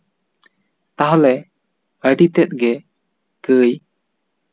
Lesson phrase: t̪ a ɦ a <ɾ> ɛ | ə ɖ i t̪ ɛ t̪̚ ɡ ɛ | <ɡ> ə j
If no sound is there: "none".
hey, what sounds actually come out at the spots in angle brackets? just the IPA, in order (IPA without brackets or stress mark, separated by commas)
l, k